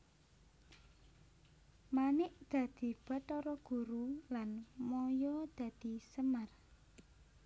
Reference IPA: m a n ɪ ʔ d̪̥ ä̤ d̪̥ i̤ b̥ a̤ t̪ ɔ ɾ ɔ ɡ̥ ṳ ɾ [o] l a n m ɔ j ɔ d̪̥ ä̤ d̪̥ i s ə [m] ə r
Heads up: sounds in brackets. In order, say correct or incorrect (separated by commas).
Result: incorrect, correct